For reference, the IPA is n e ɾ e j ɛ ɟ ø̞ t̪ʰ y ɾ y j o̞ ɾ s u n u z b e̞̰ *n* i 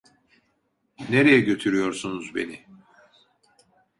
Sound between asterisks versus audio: correct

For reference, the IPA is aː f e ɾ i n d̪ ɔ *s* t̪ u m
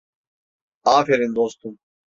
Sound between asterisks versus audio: correct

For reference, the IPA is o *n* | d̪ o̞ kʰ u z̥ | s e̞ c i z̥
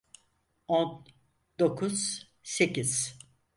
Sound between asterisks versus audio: correct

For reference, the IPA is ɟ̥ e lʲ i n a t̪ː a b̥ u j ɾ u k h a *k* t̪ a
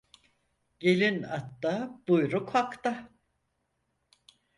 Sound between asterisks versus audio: correct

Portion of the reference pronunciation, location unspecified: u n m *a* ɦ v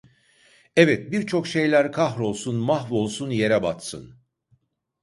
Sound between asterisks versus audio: correct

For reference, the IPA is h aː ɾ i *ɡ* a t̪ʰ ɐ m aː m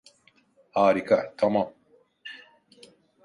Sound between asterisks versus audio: incorrect: k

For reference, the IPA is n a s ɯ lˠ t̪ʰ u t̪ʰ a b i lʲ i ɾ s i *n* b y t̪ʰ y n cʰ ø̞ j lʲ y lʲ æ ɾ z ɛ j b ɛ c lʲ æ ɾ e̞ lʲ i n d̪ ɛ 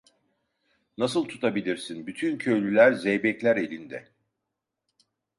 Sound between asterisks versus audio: correct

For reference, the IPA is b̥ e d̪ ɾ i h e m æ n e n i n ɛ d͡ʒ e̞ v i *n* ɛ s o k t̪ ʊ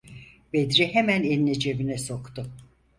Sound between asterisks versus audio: correct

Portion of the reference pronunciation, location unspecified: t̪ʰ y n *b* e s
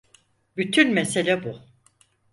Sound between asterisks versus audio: incorrect: m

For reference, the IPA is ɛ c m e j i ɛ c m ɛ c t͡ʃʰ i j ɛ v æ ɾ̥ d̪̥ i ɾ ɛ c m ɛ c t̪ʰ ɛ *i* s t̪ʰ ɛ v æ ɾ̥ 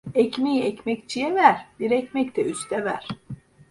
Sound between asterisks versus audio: incorrect: y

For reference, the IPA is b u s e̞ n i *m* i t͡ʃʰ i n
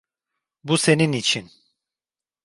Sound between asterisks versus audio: incorrect: n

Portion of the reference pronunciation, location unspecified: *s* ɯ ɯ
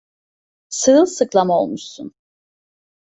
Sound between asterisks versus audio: correct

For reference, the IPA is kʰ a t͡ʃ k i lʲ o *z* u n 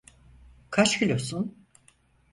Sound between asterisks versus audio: incorrect: s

